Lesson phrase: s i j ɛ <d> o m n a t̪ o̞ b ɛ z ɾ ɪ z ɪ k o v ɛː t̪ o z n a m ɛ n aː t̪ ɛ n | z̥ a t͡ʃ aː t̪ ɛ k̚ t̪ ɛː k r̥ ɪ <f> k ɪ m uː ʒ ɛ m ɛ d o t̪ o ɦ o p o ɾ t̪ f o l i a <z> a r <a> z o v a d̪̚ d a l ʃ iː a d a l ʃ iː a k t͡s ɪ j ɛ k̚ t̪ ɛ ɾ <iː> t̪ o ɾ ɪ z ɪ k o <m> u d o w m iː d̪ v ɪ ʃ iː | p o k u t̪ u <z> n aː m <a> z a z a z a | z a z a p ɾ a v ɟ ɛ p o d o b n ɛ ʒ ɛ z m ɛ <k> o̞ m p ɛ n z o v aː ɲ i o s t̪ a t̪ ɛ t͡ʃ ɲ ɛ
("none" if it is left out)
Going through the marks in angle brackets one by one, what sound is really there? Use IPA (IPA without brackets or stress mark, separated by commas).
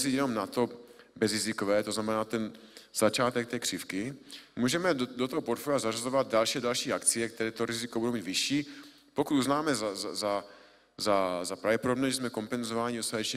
n, f, z, a, ɛː, b, z, ɛ, k